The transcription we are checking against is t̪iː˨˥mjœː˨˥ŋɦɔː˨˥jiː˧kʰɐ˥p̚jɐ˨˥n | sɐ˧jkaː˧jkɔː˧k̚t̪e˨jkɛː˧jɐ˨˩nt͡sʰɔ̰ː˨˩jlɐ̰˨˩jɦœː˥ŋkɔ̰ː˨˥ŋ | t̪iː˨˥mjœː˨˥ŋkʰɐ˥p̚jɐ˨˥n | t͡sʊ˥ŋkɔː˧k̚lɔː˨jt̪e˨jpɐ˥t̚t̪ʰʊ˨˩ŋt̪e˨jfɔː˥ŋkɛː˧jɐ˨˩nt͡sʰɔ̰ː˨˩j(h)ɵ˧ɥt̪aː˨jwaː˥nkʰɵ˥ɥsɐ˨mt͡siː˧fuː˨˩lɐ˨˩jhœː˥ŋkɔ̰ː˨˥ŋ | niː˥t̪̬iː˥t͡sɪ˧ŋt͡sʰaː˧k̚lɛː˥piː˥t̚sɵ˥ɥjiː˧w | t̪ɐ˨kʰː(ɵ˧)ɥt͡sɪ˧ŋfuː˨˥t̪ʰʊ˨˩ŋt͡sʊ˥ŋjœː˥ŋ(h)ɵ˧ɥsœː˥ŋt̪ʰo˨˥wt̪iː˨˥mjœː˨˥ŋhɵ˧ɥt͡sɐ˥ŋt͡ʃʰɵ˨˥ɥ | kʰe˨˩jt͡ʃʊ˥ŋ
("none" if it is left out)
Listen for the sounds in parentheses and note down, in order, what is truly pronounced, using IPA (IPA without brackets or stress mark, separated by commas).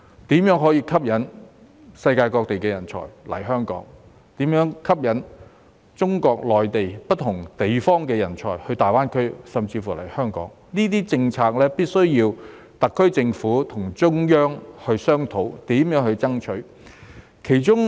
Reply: h, ɵ˥, h